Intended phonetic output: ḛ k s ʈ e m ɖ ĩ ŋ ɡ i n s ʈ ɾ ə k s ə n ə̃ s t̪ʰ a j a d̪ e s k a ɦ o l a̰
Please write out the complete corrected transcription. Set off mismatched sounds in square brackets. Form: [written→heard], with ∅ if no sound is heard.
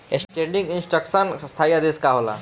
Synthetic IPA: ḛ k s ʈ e [m→ɳ] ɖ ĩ ŋ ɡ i n s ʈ ɾ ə k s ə n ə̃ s t̪ʰ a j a d̪ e s k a ɦ o l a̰